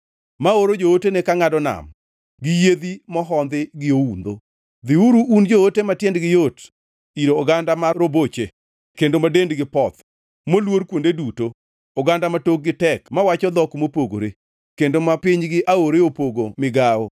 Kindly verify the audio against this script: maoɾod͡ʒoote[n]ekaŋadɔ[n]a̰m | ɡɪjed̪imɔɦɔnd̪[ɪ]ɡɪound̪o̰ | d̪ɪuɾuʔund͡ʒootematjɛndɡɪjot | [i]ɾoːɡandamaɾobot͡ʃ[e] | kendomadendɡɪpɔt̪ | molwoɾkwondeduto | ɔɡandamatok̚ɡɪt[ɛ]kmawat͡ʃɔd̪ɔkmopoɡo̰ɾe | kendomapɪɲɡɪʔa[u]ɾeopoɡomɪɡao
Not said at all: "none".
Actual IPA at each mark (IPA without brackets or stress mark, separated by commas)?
n, n, ɪ, i, e, ɛ, o